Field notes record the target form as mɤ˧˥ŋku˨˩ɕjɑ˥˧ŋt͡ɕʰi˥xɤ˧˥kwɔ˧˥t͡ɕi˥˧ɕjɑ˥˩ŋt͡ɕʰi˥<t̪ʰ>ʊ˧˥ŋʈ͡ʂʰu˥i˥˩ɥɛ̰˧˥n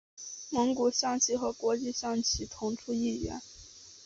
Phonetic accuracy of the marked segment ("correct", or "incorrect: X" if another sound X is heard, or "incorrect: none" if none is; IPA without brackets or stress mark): correct